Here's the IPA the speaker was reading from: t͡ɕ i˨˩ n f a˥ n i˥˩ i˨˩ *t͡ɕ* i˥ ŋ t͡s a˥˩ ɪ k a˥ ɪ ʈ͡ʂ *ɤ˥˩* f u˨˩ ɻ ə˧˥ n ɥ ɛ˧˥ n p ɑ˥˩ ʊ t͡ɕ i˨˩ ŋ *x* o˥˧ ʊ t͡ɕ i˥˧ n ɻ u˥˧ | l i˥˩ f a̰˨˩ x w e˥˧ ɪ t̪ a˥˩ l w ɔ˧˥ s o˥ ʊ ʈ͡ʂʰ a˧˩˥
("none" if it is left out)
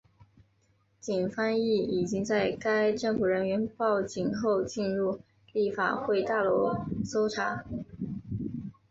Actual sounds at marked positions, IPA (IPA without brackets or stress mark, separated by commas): t͡ɕ, ɤ˥˩, x